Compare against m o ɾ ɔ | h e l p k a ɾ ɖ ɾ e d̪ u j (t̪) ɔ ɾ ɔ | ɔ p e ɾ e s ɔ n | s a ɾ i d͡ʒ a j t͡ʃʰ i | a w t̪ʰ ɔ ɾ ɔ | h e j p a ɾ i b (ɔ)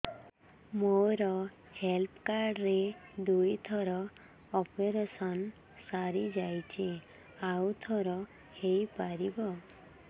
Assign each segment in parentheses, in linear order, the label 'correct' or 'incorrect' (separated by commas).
incorrect, correct